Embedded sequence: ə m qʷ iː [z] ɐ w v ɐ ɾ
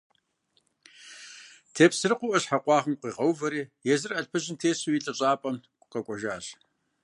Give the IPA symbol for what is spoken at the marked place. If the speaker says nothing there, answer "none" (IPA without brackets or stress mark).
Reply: ʁ